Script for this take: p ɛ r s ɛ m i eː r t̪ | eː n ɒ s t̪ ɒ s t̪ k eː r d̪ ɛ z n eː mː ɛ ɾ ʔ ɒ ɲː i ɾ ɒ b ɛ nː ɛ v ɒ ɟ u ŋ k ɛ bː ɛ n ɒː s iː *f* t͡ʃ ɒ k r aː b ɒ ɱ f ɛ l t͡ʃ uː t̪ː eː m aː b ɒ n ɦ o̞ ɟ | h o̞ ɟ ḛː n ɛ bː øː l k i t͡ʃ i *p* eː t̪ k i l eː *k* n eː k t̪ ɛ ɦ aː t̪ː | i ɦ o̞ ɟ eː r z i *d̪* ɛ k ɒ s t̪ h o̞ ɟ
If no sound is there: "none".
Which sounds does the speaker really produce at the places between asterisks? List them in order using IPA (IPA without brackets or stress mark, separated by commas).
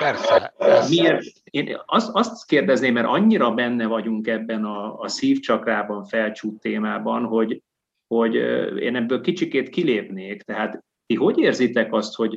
f, k, p, t̪